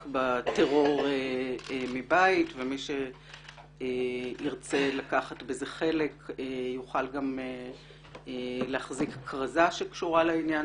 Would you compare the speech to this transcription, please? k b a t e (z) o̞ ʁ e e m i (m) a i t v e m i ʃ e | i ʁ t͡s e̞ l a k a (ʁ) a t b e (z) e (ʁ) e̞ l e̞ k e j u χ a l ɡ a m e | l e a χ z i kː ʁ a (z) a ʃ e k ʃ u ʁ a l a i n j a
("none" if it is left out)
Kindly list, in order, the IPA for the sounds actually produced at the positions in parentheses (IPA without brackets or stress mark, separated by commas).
ʁ, b, χ, z, χ, z